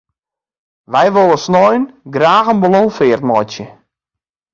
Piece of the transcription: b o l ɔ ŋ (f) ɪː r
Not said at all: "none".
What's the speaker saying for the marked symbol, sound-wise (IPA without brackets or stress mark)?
f